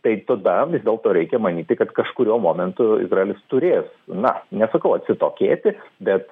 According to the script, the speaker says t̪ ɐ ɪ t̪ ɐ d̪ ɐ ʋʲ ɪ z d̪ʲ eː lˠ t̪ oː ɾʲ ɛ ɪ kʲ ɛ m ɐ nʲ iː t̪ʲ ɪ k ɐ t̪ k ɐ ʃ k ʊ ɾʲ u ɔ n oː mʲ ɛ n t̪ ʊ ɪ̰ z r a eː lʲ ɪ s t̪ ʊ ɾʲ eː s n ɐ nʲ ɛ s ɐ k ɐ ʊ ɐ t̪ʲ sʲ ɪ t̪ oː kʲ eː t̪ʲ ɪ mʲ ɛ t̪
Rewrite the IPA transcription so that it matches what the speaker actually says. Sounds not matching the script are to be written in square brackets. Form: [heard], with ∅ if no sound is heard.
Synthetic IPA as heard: t̪ ɐ ɪ t̪ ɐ d̪ ɐ ʋʲ ɪ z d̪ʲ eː lˠ t̪ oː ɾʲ ɛ ɪ kʲ ɛ m ɐ nʲ iː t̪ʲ ɪ k ɐ t̪ k ɐ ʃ k ʊ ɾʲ u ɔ [m] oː mʲ ɛ n t̪ ʊ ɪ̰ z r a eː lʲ ɪ s t̪ ʊ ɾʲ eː s n ɐ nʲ ɛ s ɐ k ɐ ʊ ɐ t̪ʲ sʲ ɪ t̪ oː kʲ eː t̪ʲ ɪ [bʲ] ɛ t̪